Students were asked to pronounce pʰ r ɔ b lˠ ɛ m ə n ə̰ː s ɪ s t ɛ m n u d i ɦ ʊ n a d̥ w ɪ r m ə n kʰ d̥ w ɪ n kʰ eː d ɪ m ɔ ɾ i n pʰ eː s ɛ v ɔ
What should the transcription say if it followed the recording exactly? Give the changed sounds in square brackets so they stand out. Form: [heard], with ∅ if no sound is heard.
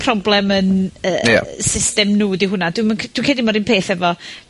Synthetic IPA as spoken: pʰ r ɔ b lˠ ɛ m ə n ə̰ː s ɪ s t ɛ m n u d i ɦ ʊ n a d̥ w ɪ [∅] m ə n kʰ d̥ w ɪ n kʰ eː d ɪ m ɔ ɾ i n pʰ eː [θ] ɛ v ɔ